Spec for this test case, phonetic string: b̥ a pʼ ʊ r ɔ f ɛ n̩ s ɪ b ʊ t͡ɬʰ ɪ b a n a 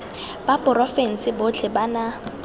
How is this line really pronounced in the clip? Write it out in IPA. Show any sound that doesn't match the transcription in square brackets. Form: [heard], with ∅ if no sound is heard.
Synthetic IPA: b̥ a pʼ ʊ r ɔ f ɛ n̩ s ɪ b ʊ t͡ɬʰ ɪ b a n a

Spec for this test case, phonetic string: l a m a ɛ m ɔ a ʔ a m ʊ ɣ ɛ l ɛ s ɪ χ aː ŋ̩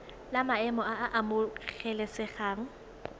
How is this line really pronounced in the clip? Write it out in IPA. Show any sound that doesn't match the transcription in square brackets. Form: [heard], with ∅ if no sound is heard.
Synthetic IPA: l a m a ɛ m ɔ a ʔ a m ʊ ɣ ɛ l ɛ s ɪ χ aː ŋ̩

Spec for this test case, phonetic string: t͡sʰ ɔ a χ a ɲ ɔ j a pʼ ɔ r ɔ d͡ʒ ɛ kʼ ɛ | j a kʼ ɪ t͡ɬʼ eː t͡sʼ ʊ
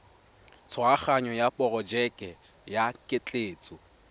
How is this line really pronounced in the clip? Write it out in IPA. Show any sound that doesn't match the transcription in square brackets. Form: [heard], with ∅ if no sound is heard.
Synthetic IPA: t͡sʰ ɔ a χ a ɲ ɔ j a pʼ ɔ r ɔ d͡ʒ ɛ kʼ ɛ | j a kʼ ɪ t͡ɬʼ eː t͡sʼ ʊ

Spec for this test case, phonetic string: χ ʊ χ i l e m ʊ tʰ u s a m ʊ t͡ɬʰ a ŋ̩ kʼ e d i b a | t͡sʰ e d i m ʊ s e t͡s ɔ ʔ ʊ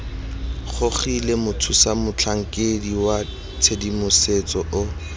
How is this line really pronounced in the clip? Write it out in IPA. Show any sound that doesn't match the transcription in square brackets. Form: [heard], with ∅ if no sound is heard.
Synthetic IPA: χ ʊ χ i l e m ʊ tʰ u s a m ʊ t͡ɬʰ a ŋ̩ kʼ e d i [w] a | t͡sʰ e d i m ʊ s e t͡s ɔ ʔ ʊ

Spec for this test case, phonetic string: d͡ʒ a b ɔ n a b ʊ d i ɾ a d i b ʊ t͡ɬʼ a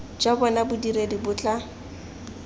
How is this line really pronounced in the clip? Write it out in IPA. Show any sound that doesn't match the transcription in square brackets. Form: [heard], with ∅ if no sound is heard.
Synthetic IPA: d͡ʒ a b ɔ n a b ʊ d i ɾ [e] d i b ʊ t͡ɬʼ a

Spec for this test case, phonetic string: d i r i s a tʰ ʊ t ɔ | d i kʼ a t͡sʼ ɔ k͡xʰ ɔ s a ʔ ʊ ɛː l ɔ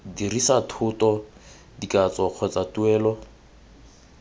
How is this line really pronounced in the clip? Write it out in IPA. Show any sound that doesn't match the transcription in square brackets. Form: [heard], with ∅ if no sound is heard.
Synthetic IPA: d i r i s a tʰ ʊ t ɔ | d i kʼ a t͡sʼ ɔ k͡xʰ ɔ [t͡s] a [t] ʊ ɛː l ɔ

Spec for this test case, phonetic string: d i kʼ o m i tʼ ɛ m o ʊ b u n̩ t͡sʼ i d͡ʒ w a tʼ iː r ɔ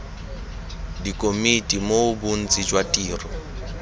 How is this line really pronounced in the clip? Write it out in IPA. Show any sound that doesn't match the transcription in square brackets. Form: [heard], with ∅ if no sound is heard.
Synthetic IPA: d i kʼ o m i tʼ [i] m o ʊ b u n̩ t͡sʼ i d͡ʒ w a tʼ iː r ɔ

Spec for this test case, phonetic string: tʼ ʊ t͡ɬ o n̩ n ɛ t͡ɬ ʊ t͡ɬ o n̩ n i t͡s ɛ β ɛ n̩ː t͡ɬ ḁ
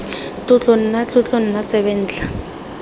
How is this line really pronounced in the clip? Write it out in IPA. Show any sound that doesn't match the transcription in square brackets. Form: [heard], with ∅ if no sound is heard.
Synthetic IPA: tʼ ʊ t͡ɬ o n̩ n [a] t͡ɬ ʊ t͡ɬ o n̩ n [a] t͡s ɛ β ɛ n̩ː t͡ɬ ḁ

